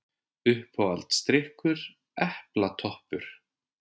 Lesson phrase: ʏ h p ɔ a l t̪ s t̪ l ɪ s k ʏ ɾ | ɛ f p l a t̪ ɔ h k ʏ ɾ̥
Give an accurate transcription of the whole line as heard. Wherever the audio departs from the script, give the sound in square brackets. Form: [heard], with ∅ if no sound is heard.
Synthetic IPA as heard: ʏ h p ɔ a l t̪ s t̪ [ɾ] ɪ [h] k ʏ ɾ | ɛ [h] p l a [t̪ʰ] ɔ h [p] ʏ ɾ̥